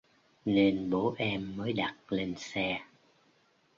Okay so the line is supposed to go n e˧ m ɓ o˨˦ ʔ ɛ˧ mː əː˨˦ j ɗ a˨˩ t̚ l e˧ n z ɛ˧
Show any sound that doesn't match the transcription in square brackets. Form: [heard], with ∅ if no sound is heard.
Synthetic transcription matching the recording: n e˧ [n] ɓ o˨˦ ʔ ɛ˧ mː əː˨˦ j ɗ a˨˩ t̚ l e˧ n [s] ɛ˧